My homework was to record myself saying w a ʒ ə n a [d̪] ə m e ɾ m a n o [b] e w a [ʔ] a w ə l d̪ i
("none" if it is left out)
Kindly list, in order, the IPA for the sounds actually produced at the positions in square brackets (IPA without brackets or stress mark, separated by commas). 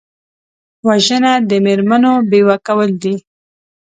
d̪, b, k